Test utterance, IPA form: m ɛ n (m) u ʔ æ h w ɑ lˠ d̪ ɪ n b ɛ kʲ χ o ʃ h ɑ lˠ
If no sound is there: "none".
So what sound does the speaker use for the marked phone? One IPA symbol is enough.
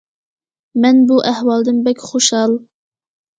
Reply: b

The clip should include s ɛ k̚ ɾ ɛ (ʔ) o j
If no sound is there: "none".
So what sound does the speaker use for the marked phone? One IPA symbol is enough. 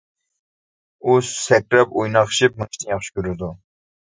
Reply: p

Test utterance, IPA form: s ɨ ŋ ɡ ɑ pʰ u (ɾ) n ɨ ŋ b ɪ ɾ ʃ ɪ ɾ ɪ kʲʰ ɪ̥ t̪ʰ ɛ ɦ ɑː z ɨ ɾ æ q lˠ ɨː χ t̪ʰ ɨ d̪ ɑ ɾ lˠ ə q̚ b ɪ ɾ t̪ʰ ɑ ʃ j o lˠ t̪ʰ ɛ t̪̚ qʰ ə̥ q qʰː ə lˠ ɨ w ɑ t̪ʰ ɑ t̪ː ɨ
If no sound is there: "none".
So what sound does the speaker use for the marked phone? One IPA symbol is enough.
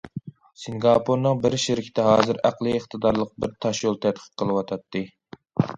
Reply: ɾ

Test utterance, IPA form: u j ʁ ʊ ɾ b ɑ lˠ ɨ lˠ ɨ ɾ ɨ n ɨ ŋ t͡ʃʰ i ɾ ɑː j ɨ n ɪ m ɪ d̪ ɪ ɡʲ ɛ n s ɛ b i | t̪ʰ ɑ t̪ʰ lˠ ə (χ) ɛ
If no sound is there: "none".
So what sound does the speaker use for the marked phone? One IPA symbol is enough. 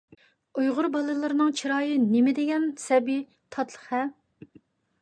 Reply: χ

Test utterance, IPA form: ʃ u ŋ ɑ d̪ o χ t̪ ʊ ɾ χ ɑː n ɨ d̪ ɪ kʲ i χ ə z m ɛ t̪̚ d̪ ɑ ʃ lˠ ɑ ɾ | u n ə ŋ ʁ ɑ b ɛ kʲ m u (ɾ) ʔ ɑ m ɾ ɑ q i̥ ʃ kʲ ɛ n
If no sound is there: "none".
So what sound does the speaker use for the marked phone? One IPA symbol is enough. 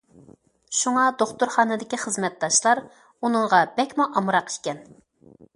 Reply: none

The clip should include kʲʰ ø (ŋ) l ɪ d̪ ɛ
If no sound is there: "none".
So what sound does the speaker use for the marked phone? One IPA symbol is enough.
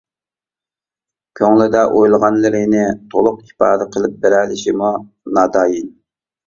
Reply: ŋ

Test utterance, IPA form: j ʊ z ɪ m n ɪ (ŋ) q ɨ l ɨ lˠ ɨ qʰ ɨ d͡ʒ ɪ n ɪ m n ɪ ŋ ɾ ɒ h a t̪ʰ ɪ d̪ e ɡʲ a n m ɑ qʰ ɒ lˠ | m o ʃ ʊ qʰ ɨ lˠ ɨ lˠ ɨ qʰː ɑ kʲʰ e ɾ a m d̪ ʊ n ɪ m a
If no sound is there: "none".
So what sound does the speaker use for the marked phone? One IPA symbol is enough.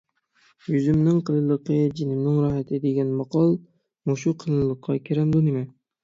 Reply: ŋ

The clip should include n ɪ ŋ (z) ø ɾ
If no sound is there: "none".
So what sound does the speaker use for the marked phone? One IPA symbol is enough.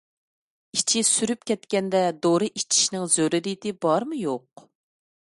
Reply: z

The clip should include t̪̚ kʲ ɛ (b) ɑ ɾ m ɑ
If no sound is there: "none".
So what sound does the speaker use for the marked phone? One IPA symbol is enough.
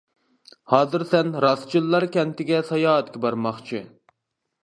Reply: b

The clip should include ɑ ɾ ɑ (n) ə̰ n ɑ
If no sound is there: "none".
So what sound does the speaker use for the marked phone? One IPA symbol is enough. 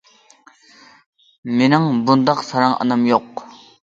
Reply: ŋ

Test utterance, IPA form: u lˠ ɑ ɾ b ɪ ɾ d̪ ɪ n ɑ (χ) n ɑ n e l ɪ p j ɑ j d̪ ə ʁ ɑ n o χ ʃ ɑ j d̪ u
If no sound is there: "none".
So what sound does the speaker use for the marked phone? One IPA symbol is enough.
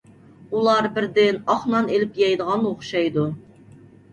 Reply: χ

